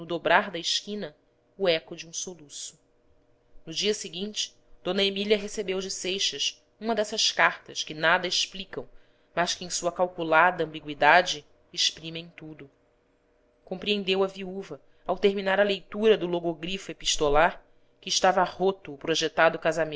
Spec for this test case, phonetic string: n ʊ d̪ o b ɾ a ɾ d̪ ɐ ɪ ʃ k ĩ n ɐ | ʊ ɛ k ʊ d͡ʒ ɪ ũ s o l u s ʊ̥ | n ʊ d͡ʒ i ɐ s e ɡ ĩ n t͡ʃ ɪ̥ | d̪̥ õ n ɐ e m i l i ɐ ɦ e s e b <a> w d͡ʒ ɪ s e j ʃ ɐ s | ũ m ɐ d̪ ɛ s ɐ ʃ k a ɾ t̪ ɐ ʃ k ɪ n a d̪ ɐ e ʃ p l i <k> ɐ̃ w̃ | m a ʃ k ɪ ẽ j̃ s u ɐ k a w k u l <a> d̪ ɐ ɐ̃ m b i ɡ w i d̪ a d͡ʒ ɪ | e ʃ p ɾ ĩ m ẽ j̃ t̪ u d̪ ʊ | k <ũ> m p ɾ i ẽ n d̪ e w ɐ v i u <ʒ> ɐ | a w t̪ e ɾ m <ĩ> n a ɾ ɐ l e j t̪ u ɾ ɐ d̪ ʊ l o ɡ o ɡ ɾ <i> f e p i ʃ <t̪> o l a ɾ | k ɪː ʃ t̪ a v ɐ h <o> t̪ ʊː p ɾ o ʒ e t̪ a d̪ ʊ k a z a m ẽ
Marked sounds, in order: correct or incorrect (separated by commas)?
incorrect, correct, correct, incorrect, incorrect, incorrect, correct, correct, correct